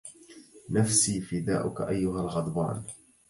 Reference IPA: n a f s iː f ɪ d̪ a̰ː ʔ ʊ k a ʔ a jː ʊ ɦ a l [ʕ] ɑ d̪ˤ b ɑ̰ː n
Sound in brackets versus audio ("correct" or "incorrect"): incorrect